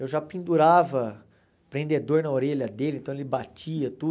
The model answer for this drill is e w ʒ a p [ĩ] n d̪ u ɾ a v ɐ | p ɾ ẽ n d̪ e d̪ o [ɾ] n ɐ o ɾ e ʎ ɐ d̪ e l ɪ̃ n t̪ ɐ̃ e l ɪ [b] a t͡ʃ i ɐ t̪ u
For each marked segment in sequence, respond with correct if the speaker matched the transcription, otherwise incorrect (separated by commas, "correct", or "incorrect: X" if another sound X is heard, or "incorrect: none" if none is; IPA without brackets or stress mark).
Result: correct, correct, correct